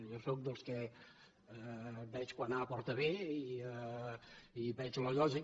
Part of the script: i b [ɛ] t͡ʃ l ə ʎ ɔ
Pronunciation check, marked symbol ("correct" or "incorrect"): correct